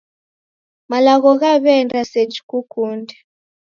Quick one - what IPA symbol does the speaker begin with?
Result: m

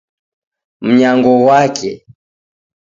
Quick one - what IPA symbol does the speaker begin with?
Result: m̩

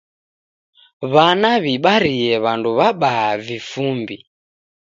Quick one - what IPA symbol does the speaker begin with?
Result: β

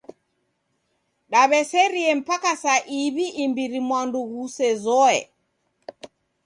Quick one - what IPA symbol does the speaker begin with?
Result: ɗ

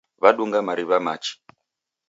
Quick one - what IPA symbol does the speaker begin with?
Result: β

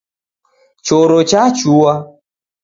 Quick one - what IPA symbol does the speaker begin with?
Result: t͡ʃ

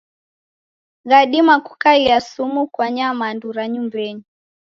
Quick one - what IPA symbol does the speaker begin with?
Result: ɣ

